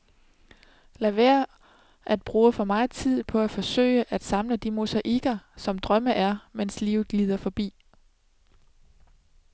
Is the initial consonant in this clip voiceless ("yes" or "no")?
no